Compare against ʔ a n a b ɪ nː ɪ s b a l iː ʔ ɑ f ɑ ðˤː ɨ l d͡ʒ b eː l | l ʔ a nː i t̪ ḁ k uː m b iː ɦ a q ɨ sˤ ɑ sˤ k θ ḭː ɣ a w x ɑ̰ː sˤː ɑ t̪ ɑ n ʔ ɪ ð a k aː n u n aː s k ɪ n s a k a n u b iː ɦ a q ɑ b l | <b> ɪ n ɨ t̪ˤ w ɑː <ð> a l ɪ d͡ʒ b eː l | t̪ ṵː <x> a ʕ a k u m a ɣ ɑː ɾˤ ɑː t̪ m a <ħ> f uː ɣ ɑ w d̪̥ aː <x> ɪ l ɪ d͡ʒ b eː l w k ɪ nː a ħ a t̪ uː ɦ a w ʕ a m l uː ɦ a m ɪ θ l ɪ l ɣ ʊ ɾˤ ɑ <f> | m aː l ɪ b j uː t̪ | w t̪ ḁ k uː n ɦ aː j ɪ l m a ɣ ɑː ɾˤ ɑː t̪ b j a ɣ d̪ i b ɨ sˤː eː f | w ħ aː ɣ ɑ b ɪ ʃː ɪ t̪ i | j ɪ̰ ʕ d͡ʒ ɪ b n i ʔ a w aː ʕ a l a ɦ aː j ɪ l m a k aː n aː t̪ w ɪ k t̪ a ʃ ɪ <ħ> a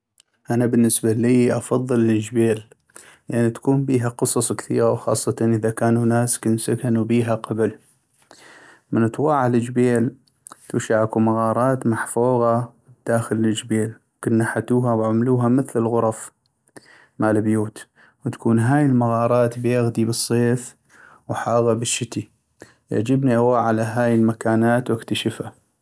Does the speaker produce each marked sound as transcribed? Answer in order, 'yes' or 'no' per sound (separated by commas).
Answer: no, no, no, yes, yes, yes, no